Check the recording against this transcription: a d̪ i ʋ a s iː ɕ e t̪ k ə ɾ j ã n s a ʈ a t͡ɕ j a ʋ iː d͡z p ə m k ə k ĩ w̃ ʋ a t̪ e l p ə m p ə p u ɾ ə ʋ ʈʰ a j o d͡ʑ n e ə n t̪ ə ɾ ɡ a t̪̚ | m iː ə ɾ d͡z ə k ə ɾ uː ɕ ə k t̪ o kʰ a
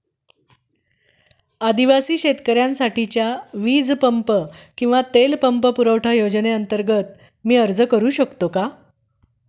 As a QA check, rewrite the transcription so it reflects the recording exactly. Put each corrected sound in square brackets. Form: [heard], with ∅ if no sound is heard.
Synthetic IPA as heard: a d̪ i ʋ a s iː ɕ e t̪ k ə ɾ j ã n s a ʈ [i] t͡ɕ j a ʋ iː d͡z p ə m [p] ə k ĩ w̃ ʋ a t̪ e l p ə m p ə p u ɾ ə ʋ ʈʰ a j o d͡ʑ n e ə n t̪ ə ɾ ɡ [ə] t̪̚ | m iː ə ɾ d͡z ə k ə ɾ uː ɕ ə k t̪ o [k] a